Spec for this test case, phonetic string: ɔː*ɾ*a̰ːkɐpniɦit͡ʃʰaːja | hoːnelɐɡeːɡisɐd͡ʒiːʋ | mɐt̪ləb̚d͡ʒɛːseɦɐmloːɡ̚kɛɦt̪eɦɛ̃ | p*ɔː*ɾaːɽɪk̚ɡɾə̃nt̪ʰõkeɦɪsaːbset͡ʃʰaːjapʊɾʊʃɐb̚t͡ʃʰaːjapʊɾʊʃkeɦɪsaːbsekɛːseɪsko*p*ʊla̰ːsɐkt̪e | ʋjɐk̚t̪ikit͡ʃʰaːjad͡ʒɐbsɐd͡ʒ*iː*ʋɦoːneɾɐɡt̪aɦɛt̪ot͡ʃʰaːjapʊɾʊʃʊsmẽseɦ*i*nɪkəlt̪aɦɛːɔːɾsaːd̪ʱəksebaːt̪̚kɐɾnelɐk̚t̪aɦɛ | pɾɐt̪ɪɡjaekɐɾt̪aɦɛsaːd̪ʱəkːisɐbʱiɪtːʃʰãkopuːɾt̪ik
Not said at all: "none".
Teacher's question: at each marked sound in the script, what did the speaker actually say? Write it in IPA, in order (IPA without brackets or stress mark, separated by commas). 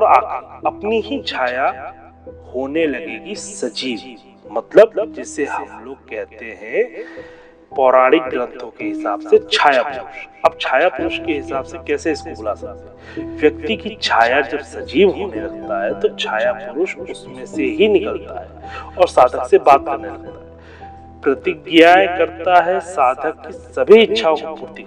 ɾ, ɔː, b, iː, i